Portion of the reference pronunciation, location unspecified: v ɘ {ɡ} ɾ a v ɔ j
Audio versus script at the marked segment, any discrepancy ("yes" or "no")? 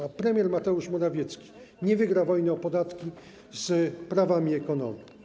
no